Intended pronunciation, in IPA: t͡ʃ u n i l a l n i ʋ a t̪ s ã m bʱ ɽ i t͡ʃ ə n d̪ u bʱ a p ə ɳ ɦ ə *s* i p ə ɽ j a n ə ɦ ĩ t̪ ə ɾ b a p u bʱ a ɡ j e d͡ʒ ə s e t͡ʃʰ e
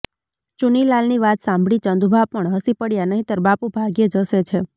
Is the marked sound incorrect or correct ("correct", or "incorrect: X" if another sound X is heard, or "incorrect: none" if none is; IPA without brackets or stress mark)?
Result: correct